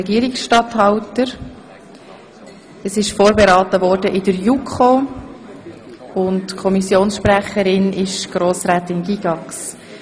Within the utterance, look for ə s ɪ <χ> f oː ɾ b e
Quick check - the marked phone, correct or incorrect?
incorrect: ʃ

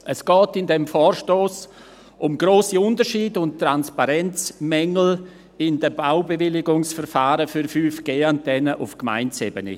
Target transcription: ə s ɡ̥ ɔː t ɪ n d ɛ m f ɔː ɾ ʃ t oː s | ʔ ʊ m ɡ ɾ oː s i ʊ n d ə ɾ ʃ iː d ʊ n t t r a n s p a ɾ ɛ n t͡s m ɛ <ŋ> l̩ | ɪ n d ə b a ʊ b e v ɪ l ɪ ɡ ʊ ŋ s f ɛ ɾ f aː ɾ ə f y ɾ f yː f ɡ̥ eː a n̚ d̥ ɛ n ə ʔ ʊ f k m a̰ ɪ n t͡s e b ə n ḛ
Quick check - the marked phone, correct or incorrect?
correct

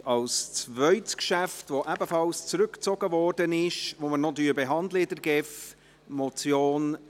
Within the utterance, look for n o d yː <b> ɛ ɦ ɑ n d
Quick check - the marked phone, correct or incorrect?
correct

